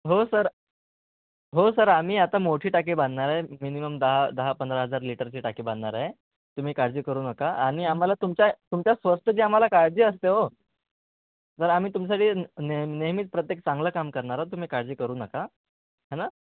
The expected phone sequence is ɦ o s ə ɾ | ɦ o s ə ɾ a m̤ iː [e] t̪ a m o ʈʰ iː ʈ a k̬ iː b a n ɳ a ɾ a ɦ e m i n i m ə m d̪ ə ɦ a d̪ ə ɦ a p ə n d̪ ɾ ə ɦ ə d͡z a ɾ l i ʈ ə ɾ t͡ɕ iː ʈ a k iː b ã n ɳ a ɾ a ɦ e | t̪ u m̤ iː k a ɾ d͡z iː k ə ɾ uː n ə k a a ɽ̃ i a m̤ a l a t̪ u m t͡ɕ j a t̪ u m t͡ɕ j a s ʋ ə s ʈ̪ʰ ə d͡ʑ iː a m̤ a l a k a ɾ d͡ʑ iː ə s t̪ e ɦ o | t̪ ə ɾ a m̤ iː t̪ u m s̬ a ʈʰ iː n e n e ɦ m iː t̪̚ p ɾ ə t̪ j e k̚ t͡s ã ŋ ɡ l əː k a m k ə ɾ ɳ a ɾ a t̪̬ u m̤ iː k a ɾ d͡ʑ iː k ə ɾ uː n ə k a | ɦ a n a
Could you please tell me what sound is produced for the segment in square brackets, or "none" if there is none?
a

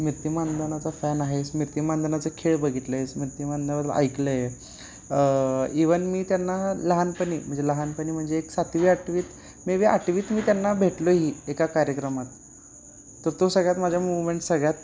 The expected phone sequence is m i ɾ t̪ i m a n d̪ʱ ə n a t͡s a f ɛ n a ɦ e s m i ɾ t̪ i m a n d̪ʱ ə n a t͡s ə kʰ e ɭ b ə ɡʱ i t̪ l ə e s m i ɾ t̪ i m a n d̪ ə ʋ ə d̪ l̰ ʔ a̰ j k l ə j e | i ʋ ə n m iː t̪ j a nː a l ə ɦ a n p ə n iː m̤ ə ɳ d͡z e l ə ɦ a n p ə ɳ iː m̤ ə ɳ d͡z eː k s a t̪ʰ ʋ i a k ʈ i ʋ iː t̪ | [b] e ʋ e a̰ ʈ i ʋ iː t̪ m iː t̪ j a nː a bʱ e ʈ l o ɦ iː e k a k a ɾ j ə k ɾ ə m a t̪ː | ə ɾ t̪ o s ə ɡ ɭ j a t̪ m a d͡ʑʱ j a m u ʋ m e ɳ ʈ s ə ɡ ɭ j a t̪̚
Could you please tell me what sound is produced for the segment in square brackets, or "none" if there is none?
m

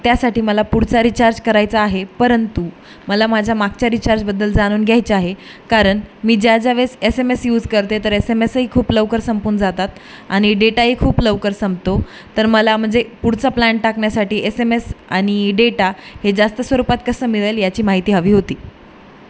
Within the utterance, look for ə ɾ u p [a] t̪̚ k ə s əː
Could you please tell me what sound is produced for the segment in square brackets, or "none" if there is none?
a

